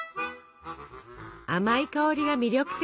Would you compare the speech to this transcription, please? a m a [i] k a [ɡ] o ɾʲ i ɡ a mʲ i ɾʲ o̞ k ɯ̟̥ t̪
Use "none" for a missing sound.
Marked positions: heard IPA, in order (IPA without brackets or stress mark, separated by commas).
i, none